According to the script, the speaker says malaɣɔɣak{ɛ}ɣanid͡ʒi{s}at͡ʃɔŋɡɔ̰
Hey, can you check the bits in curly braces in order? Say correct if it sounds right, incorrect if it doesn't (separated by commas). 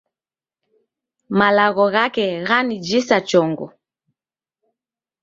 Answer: correct, correct